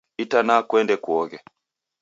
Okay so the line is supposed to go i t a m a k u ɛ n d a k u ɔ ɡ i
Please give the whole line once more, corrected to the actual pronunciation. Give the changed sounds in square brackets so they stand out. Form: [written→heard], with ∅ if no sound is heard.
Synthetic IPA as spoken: i t a [m→n] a k [u→w] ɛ n d [a→ɛ] k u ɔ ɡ [i→ɛ]